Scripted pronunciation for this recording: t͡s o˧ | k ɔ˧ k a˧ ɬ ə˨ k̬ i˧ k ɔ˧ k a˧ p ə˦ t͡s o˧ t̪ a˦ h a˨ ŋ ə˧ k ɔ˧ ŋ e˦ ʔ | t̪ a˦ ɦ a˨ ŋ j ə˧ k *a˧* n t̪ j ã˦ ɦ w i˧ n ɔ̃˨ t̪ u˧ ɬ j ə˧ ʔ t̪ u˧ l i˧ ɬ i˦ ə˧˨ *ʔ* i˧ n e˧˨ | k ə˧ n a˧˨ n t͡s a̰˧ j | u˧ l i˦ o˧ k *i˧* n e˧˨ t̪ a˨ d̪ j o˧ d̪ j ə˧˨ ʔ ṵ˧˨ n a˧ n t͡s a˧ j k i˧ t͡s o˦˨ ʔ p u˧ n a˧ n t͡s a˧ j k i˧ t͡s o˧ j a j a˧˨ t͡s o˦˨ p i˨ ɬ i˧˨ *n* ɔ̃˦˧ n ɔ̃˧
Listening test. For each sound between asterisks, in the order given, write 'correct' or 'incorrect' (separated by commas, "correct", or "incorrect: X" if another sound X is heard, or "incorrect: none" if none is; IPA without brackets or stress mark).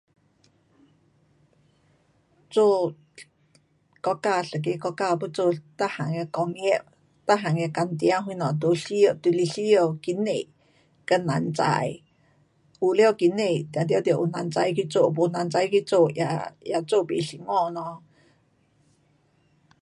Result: correct, incorrect: k, correct, incorrect: ŋ